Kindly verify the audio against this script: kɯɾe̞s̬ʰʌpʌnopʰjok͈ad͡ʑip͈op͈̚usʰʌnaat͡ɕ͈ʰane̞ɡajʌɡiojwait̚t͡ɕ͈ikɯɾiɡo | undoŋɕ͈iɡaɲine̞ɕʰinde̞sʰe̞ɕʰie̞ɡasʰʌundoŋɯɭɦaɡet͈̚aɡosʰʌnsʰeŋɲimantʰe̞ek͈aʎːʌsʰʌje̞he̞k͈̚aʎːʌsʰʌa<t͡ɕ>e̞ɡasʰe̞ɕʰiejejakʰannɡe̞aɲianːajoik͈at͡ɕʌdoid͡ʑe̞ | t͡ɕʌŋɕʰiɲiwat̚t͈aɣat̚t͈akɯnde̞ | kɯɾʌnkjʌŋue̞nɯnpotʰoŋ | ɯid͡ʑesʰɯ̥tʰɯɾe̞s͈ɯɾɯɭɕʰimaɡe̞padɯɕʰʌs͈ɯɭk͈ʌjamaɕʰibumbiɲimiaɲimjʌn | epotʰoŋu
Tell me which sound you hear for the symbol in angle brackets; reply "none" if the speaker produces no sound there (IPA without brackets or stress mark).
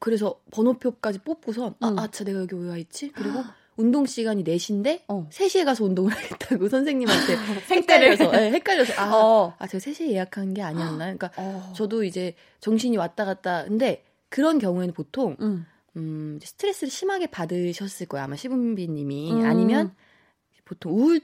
t͡ɕ